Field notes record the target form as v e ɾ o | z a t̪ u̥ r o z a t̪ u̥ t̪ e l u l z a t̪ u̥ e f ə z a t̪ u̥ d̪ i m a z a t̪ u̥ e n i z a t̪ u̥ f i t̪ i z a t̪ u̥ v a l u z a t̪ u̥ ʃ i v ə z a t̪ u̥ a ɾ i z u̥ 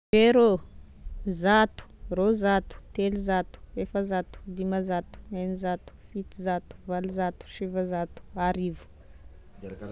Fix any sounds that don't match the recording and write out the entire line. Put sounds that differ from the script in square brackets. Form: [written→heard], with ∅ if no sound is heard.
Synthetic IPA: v e ɾ o | z a t̪ u̥ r o z a t̪ u̥ t̪ e l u [l→∅] z a t̪ u̥ e f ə z a t̪ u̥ d̪ i m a z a t̪ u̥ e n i z a t̪ u̥ f i t̪ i z a t̪ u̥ v a l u z a t̪ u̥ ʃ i v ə z a t̪ u̥ a ɾ i [z→v] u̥